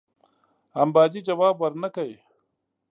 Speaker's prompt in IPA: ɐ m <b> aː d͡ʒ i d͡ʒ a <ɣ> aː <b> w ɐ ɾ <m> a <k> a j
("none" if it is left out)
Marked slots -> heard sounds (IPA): b, w, b, n, k

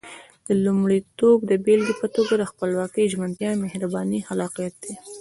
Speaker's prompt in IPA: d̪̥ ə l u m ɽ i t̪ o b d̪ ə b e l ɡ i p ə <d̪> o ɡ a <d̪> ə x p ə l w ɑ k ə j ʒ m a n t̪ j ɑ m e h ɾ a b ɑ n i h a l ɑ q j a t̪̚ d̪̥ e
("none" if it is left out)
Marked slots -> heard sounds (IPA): t̪, d̪

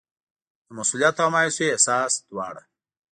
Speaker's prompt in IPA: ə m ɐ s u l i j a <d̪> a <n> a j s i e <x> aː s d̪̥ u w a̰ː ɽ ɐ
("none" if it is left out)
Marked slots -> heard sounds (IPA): t̪, m, s

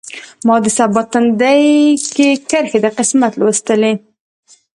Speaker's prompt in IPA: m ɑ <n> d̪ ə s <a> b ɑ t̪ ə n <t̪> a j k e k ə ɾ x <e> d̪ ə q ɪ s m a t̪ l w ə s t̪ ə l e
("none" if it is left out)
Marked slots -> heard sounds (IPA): none, a, d̪, e

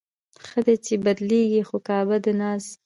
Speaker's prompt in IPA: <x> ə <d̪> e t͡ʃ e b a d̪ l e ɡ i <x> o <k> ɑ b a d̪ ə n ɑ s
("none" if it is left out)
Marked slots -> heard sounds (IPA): x, d̪, x, k

